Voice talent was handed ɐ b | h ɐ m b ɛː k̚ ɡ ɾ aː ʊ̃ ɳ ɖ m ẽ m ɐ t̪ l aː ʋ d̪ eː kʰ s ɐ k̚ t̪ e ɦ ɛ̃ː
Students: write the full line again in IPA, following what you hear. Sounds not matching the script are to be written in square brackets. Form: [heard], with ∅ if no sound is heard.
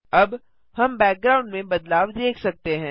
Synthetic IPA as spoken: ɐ b | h ɐ m b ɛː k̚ ɡ ɾ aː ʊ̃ ɳ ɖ m ẽ [b] ɐ [d̪] l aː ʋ d̪ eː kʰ s ɐ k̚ t̪ e ɦ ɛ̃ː